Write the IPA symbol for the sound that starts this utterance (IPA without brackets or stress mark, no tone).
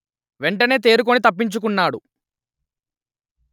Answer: ʋ